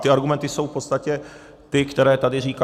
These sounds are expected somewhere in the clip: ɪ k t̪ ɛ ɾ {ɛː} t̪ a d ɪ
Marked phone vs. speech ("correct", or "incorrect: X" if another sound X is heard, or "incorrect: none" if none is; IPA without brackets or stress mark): correct